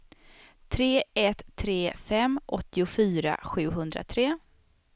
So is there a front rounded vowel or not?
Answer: yes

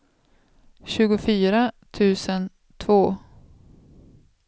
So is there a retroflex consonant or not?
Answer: no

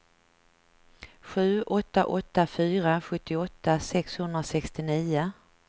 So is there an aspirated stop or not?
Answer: no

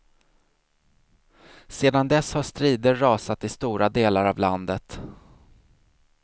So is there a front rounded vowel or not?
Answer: no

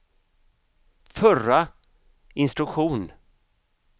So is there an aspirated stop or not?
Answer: no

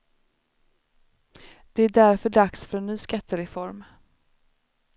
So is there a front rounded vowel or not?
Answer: yes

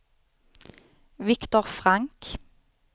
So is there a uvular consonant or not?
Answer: yes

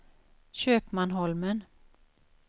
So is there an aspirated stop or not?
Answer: no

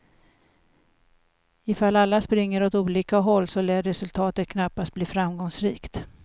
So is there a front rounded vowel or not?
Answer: no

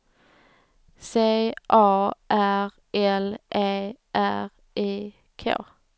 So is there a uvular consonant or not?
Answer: yes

